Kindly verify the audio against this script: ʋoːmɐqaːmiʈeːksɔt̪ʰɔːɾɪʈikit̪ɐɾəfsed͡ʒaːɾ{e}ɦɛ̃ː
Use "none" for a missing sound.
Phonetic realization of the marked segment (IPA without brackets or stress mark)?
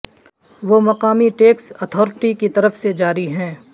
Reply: i